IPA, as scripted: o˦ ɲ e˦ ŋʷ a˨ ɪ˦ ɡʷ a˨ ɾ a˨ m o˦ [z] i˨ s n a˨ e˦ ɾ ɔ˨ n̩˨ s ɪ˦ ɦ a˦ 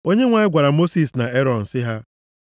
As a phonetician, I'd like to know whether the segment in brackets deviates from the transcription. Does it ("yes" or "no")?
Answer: yes